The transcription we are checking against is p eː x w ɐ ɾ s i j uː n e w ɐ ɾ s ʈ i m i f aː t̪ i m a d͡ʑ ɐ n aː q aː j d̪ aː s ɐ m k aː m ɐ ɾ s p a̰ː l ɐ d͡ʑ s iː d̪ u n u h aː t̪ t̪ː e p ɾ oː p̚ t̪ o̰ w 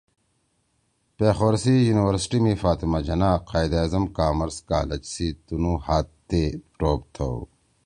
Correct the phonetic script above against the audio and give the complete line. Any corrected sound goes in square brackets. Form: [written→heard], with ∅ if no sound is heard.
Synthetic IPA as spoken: p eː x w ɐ ɾ s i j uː n [e→i] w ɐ ɾ s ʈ i m i f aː t̪ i m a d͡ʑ ɐ n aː q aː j d̪ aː [s→z] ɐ m k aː m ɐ ɾ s [p→k] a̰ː l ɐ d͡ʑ s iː [d̪→t̪] u n u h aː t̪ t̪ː e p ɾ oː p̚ [t̪→t̪ʰ] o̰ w